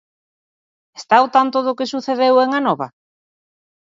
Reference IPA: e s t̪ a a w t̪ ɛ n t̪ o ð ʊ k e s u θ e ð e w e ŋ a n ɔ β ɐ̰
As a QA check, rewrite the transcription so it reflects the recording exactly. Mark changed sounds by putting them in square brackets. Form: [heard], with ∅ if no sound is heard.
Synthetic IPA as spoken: e s t̪ a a w t̪ [a] n t̪ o ð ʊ k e s u θ e ð e w e ŋ a n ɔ β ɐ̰

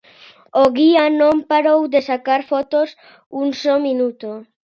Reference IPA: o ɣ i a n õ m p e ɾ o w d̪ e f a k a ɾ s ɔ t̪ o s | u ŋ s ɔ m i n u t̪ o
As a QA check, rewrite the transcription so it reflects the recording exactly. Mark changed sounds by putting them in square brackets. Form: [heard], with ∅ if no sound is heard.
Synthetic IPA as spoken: o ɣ i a n õ m p [a] ɾ o w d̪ e [s] a k a ɾ [f] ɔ t̪ o s | u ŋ s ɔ m i n u t̪ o

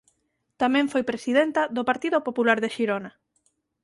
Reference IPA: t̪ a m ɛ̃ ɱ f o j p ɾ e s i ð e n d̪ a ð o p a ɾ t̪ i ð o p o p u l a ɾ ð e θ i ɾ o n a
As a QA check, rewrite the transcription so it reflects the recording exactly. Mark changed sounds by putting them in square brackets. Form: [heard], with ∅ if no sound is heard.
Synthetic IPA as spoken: t̪ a m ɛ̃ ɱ f o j p ɾ e s i ð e n [t̪] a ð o p a ɾ t̪ i ð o p o p u l a ɾ ð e [ʃ] i ɾ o n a

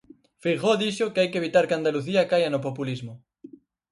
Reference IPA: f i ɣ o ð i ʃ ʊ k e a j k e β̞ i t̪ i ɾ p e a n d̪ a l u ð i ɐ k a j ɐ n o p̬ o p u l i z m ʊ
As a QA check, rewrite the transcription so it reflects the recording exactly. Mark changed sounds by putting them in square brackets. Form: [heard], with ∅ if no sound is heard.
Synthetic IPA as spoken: f i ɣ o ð i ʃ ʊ k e a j k e β̞ i t̪ [a] ɾ [k] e a n d̪ a l u [θ] i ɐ k a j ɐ n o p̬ o p u l i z m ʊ

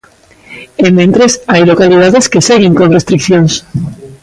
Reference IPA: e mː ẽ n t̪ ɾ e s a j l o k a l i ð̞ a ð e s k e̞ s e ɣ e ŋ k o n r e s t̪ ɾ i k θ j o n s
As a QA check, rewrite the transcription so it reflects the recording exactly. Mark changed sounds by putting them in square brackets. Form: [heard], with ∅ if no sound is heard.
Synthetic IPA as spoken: e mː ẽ n t̪ ɾ e s a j l o k a l i ð̞ a ð e s k e̞ s e ɣ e ŋ k o n r e s t̪ ɾ i k θ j o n s

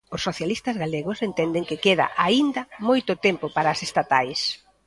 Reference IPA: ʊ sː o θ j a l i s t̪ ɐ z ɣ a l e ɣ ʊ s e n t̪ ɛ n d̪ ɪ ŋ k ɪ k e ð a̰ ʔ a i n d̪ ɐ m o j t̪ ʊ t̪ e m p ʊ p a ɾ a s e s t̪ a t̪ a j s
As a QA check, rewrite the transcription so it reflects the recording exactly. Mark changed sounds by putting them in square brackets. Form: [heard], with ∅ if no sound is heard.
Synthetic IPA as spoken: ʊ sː o θ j a l i s t̪ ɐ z ɣ a l e ɣ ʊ s e n t̪ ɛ n d̪ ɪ ŋ k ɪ k e ð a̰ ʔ a i n d̪ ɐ m o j t̪ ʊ t̪ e m p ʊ p a ɾ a s e s t̪ a t̪ a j s

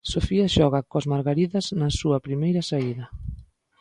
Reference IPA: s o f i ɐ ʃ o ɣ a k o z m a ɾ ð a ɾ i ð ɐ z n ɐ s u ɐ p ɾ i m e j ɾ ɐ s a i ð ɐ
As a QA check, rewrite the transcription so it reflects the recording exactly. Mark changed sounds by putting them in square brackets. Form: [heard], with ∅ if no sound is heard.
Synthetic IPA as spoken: s o f i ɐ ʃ [ɔ] ɣ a k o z m a ɾ [ɣ] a ɾ i ð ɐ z n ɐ s u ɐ p ɾ i m e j ɾ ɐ s a i ð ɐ

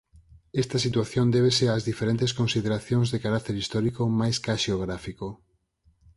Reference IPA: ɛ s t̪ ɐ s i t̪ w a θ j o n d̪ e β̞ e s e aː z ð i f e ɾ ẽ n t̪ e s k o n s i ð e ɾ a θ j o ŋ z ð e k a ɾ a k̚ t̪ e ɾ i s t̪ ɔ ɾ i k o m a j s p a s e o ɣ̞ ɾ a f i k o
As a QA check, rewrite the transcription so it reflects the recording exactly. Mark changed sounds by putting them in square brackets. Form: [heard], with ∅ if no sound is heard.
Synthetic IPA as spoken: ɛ s t̪ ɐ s i t̪ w a θ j o n d̪ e β̞ e s e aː z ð i f e ɾ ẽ n t̪ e s k o n s i ð e ɾ a θ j o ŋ z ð e k a ɾ a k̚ t̪ e ɾ i s t̪ ɔ ɾ i k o m a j s [k] a [ʃ] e o ɣ̞ ɾ a f i k o

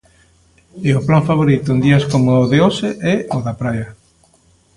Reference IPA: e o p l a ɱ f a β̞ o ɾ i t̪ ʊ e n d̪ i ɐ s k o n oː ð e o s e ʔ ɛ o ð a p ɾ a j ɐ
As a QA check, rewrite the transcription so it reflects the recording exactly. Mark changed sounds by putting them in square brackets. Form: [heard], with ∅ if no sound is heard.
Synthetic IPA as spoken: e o p l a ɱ f a β̞ o ɾ i t̪ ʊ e n d̪ i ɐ s k o [m] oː ð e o s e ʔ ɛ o ð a p ɾ a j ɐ

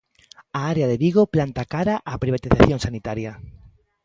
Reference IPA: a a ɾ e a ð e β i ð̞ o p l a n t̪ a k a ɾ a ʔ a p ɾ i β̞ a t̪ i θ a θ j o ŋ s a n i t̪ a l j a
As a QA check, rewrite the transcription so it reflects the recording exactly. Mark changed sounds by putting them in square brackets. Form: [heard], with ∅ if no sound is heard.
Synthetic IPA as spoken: a a ɾ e a ð e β i [ɣ̞] o p l a n t̪ a k a ɾ a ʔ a p ɾ i β̞ a t̪ i θ a θ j o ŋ s a n i t̪ a [ɾ] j a

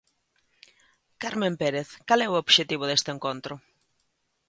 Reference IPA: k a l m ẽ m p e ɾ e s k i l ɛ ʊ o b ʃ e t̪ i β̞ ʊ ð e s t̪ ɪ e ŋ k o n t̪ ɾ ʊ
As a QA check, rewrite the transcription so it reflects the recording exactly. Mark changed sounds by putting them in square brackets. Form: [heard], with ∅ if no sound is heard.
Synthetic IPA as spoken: k a [ɾ] m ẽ m p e ɾ e [θ] k [a] l ɛ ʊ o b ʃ e t̪ i β̞ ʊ ð e s t̪ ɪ e ŋ k o n t̪ ɾ ʊ

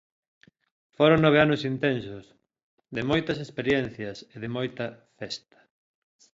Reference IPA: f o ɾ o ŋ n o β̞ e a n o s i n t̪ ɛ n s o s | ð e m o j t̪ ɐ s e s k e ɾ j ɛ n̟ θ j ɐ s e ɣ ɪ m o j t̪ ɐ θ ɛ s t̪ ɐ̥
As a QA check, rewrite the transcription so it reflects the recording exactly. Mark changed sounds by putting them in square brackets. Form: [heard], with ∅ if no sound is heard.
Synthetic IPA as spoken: f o ɾ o ŋ n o β̞ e a n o s i n t̪ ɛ n s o s | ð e m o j t̪ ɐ s e s [p] e ɾ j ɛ n̟ θ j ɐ s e [ð] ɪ m o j t̪ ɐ [f] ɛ s t̪ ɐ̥

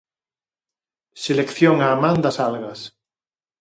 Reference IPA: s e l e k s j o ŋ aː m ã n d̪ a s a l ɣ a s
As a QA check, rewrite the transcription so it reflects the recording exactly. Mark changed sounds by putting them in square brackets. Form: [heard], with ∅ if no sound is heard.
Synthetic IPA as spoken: s e l e k [θ] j o ŋ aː m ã n d̪ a s a l ɣ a s

